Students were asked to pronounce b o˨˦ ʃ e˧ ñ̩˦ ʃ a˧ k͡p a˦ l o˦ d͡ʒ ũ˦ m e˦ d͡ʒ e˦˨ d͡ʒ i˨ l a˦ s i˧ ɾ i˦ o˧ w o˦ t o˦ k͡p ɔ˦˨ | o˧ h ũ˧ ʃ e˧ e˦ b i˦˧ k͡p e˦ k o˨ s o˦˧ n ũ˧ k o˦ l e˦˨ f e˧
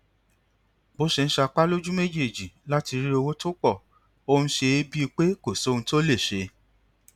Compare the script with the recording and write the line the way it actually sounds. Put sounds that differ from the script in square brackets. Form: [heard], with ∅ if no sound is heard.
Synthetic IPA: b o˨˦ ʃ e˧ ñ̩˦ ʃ a˧ k͡p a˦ l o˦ d͡ʒ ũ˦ m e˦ d͡ʒ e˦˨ d͡ʒ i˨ l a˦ [t] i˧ ɾ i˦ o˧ w o˦ t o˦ k͡p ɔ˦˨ | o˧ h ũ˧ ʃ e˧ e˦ b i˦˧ k͡p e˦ k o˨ s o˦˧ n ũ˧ [t] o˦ l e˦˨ [ʃ] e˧